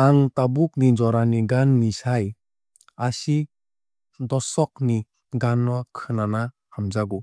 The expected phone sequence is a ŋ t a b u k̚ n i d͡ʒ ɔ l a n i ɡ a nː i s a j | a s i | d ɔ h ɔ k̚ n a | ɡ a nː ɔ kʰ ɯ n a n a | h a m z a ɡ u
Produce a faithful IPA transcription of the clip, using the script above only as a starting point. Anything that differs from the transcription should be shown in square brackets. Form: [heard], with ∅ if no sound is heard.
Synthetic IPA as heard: a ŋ t a b u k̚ n i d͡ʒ ɔ [ɾ] a n i ɡ a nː i s a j | a s i | d ɔ [s] ɔ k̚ n [i] | ɡ a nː ɔ kʰ ɯ n a n a | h a m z a ɡ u